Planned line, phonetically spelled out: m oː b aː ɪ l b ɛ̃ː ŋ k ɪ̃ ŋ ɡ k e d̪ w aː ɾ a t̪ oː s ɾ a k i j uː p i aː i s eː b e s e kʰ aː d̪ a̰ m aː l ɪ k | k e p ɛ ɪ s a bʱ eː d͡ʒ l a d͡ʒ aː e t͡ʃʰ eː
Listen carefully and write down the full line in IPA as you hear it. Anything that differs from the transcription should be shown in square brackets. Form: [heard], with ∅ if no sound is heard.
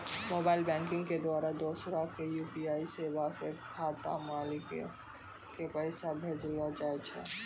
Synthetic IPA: m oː b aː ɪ l b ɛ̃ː ŋ k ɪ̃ ŋ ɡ k e d̪ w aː ɾ a [d̪] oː s ɾ a k [e] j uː p i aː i s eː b [a] s e kʰ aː [t̪] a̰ m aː l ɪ k | k e p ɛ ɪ s a bʱ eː d͡ʒ l a d͡ʒ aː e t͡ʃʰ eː

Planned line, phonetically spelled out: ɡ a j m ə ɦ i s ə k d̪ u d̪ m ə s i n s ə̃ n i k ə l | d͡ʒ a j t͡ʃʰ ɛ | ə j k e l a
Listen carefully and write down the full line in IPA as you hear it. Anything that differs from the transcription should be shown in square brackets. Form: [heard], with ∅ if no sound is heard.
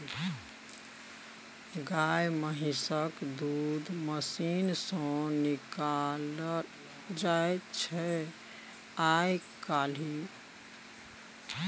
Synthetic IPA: ɡ a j m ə ɦ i s ə k d̪ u d̪ m ə s i n s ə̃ n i k [a] l | d͡ʒ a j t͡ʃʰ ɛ | [a] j k [a] l [i]

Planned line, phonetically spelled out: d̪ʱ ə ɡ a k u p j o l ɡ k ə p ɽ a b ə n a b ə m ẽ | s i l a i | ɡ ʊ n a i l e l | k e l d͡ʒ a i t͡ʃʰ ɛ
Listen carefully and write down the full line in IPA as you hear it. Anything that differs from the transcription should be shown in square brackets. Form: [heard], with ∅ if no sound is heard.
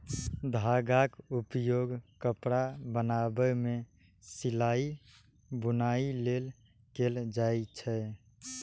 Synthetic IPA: d̪ʱ [a] ɡ a k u p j o [∅] ɡ k ə p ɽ a b ə n a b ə m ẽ | s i l a i | [b] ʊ n a i l e l | k e l d͡ʒ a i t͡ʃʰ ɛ

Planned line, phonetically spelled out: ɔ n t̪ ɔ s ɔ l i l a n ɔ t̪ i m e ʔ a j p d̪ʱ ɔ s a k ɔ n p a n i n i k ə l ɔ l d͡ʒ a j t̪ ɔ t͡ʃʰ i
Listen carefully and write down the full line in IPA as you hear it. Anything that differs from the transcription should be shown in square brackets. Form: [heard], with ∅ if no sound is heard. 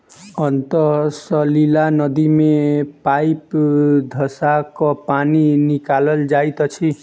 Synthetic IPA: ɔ n t̪ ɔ s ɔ l i l a n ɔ [d̪] i m e [p] a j p d̪ʱ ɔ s a k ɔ [∅] p a n i n i k [a] l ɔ l d͡ʒ a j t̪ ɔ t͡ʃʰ i

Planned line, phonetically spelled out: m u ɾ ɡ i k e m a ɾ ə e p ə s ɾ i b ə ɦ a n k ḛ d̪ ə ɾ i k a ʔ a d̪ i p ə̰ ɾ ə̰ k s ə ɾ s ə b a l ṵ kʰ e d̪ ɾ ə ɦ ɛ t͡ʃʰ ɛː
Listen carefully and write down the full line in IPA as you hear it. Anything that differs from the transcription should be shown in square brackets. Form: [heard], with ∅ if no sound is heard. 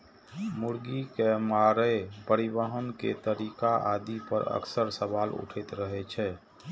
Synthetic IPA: m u ɾ ɡ i k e m a ɾ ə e p ə [∅] ɾ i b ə ɦ [ə] n k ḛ [t̪] ə ɾ i k a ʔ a d̪ i p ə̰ ɾ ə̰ k s ə ɾ s ə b a l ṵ [ʈʰ] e [t̪] ɾ ə ɦ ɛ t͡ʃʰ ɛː

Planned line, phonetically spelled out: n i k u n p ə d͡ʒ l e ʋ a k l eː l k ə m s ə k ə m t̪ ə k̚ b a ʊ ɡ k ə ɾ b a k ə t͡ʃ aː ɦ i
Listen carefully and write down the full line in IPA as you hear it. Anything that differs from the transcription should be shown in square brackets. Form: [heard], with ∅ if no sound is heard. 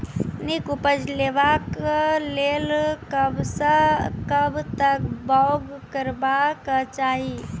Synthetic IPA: n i k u [∅] p ə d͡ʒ l e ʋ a k l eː l k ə [b] s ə k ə [b] t̪ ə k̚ b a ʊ ɡ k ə ɾ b a k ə t͡ʃ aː ɦ i

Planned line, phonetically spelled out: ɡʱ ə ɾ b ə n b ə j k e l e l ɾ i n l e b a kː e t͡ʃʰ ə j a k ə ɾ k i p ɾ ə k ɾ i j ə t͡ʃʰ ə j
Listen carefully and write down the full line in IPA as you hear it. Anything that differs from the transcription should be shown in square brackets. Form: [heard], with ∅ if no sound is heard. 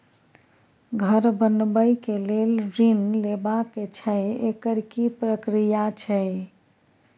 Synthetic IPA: ɡʱ ə ɾ b ə n b ə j k e l e l ɾ i n l e b a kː e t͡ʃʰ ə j [e] k ə ɾ k i p ɾ ə k ɾ i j [a] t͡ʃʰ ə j

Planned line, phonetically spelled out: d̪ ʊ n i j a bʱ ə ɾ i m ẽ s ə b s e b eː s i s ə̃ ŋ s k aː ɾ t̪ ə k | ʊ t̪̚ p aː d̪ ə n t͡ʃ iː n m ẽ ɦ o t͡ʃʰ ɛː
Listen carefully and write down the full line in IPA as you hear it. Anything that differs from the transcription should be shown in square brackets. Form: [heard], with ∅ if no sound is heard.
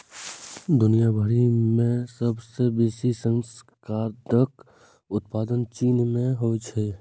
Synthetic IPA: d̪ ʊ n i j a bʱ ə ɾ i m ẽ s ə b s e b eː s i s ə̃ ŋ s k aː ɾ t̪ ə k | ʊ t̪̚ p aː d̪ ə n t͡ʃ iː n m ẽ ɦ o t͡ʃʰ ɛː

